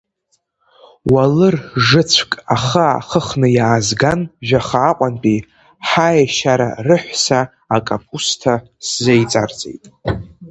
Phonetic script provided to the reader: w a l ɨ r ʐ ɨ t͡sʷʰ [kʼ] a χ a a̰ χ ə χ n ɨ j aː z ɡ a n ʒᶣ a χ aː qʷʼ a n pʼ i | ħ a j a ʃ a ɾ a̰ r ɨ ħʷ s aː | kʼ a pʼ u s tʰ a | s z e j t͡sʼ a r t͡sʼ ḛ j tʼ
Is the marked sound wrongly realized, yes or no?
no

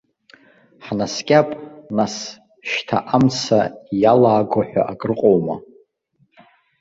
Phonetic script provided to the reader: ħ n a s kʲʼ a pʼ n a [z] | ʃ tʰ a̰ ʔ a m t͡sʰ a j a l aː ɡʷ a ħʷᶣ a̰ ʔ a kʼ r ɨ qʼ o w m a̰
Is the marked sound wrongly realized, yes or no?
yes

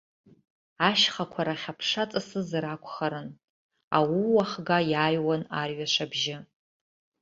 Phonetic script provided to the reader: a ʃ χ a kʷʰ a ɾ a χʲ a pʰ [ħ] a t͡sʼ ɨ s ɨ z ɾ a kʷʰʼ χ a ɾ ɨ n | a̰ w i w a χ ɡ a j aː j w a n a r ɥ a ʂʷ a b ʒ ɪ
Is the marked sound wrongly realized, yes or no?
yes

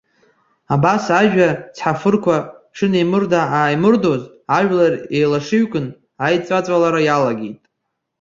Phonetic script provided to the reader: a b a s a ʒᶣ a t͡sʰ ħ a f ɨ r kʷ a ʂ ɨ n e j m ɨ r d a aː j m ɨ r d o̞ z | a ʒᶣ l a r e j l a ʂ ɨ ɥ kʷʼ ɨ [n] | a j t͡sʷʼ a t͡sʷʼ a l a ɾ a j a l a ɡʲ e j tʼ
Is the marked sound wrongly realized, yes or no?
no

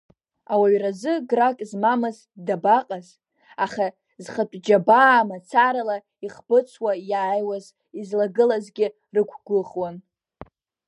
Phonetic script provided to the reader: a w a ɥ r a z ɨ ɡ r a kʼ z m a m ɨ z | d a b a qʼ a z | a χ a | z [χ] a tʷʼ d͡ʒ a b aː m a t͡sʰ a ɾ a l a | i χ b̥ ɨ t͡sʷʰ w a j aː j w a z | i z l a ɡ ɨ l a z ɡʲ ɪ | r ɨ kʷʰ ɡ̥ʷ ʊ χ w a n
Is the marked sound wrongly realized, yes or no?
no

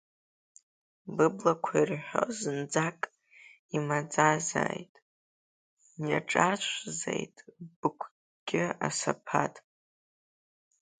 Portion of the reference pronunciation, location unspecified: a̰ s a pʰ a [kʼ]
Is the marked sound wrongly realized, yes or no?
yes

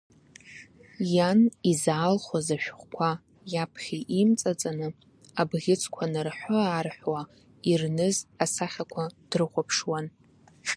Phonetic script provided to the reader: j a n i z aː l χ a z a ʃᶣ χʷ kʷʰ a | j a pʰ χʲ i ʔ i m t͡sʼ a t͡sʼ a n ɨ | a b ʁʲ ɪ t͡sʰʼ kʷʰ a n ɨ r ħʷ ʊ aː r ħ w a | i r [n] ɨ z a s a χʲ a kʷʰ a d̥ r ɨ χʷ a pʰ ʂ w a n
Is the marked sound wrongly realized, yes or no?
no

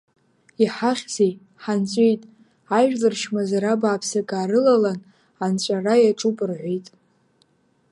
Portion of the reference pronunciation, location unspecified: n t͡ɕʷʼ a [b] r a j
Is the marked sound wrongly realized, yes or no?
yes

